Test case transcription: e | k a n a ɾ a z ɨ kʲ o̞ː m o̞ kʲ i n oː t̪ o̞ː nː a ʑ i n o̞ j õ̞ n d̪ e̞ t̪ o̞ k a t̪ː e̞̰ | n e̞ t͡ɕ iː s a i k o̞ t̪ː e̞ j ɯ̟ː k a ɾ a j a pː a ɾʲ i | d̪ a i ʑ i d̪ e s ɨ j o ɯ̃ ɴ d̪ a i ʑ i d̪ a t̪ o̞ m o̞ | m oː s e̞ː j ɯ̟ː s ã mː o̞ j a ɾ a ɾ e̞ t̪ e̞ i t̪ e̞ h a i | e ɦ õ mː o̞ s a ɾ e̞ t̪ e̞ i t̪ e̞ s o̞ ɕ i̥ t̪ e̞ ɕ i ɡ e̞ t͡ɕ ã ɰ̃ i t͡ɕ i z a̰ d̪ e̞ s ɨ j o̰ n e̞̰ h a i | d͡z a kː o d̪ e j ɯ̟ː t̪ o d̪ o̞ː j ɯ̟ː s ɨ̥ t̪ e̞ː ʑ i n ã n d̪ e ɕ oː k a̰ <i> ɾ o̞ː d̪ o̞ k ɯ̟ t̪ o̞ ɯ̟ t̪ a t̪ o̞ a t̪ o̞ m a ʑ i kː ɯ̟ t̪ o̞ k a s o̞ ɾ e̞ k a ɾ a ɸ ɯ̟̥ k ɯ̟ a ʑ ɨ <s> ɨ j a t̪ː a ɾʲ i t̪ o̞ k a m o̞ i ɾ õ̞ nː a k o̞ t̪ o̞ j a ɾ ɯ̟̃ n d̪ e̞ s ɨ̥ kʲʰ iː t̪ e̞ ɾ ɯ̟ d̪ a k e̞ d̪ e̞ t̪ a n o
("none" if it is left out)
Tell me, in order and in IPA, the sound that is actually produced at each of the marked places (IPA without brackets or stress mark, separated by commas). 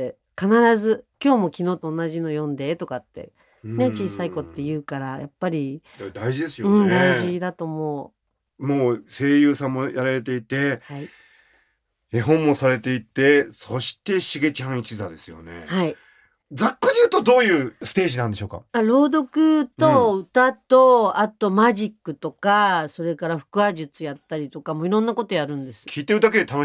a, t͡s